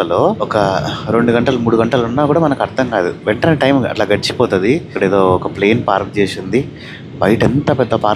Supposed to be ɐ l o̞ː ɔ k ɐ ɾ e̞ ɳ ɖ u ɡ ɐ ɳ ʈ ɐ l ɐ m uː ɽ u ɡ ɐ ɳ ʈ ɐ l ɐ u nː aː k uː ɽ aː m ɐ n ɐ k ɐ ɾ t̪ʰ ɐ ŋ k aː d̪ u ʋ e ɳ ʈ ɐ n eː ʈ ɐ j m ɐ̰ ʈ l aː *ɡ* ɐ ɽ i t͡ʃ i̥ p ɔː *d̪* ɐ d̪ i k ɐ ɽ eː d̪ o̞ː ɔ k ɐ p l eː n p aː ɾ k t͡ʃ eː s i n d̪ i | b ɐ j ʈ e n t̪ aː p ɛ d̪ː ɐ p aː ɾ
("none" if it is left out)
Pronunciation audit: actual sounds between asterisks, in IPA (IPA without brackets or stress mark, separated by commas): ɡ, t̪